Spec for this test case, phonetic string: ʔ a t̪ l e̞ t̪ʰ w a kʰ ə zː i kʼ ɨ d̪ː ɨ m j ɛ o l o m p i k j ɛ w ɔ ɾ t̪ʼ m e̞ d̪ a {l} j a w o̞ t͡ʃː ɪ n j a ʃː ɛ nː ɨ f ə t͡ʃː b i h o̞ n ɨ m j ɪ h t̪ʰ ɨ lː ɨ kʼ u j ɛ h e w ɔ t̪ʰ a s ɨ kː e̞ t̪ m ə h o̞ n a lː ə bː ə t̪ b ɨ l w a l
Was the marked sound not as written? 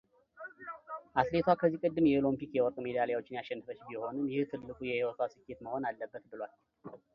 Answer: no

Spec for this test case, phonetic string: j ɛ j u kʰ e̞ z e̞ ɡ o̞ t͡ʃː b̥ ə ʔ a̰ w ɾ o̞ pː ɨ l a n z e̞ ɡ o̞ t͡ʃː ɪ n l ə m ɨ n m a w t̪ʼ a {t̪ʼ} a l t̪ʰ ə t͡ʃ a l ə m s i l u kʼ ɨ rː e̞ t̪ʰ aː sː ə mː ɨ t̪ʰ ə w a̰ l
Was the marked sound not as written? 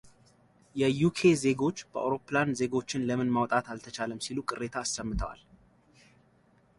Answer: yes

